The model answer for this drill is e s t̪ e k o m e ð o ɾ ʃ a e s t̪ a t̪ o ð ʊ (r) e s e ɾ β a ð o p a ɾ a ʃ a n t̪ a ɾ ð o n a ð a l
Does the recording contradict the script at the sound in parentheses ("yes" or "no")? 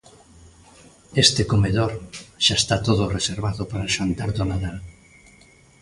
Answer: no